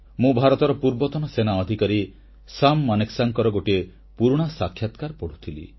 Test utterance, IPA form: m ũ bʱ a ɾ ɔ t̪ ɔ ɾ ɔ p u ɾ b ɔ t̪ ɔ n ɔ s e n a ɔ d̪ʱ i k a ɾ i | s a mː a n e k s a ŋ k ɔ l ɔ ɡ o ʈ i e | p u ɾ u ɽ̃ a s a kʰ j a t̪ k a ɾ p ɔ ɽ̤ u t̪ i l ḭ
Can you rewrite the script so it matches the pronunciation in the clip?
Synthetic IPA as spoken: m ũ bʱ a ɾ ɔ t̪ ɔ ɾ ɔ p u ɾ b ɔ t̪ ɔ n ɔ s e n a ɔ d̪ʱ i k a ɾ i | s a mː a n e k s a ŋ k ɔ ɾ ɔ ɡ o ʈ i e | p u ɾ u ɽ̃ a s a kʰ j a t̪ k a ɾ p ɔ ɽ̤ u t̪ʰ i l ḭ